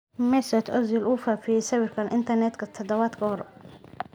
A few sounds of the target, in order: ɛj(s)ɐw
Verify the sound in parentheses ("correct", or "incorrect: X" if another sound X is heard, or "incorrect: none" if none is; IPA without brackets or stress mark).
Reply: correct